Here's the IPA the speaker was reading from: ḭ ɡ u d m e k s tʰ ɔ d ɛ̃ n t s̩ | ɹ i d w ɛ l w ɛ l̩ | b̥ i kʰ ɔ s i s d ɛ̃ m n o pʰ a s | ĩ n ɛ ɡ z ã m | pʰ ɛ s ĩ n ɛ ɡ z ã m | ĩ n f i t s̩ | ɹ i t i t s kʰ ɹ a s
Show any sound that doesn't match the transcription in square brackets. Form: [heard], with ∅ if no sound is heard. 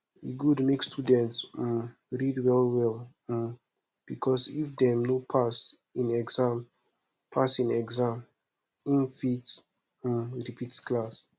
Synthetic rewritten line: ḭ ɡ u d m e k s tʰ [u] d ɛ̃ n t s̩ | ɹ i d w ɛ l w ɛ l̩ | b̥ i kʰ ɔ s i [f] d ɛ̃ m n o pʰ a s | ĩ n ɛ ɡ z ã m | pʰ [a] s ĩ n ɛ ɡ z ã m | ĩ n f i t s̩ | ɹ i [p] i t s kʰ [l] a s